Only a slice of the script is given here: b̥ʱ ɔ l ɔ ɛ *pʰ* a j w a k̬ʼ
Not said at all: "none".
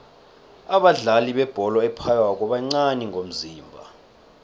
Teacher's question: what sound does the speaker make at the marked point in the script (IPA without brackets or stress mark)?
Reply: pʰ